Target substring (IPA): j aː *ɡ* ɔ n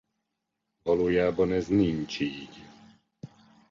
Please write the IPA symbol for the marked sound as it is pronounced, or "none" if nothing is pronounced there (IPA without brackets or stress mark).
b